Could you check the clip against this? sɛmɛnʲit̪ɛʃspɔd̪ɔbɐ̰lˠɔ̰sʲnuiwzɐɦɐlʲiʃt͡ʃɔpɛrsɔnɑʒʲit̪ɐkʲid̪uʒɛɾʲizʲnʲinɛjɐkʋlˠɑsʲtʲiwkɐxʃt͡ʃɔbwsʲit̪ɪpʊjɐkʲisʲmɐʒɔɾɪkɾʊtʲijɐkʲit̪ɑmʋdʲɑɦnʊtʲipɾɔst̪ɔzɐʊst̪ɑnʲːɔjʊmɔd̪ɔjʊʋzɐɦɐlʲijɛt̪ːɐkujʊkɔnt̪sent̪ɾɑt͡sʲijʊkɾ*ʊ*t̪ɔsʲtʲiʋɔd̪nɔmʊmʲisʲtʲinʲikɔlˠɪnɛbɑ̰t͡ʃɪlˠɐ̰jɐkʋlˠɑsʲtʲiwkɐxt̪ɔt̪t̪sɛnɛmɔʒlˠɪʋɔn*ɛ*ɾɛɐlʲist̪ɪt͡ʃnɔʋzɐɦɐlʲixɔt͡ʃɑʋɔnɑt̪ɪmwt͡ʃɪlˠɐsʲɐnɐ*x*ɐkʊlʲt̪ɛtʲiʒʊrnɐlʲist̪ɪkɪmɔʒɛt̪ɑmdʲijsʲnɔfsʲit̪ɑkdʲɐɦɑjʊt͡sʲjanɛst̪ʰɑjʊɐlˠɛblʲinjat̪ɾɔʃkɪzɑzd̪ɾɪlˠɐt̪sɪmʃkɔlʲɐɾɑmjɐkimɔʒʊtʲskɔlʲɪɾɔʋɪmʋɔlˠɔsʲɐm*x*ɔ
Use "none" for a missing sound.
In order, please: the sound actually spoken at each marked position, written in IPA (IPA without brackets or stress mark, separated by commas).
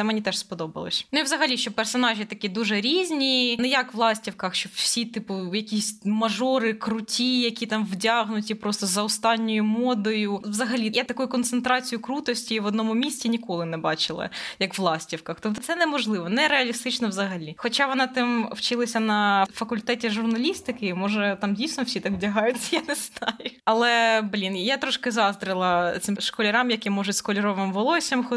u, ɛ, f, x